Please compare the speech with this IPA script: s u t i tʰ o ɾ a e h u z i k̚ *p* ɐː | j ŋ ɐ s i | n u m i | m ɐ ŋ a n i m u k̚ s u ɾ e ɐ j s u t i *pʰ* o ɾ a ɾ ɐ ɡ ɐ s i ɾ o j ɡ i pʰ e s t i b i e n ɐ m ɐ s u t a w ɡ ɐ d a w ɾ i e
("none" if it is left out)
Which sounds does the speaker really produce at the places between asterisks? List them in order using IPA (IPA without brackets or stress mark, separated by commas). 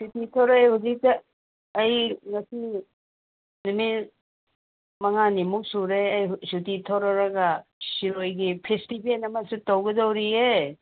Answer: t, tʰ